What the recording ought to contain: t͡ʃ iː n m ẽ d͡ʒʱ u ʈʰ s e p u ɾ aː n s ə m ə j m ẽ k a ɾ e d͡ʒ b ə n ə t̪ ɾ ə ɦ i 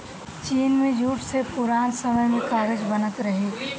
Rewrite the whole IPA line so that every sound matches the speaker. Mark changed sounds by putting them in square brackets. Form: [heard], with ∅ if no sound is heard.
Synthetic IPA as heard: t͡ʃ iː n m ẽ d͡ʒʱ u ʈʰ s e p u ɾ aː n s ə m ə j m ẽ k a ɾ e d͡ʒ b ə n ə t̪ ɾ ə ɦ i

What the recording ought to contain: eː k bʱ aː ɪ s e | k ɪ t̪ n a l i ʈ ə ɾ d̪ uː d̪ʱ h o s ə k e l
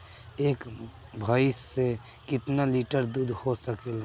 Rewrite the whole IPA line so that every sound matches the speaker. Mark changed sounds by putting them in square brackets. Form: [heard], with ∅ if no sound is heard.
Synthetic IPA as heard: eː k bʱ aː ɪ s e | k ɪ t̪ n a l i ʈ ə ɾ d̪ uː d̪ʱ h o s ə k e l

